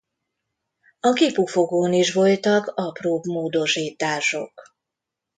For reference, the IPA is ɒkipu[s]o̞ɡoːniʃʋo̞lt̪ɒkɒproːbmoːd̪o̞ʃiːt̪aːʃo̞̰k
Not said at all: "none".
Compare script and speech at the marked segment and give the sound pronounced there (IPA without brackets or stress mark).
f